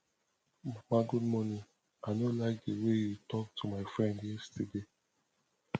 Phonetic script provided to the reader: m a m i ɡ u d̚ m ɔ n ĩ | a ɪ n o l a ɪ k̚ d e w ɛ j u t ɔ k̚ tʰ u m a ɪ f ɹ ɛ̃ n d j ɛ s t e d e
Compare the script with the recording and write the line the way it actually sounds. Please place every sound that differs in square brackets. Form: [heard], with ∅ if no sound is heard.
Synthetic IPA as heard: m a m [a] ɡ u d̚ m ɔ n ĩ | a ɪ n o l a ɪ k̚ d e w [e] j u t ɔ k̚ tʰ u m a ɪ f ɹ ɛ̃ n d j ɛ s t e d e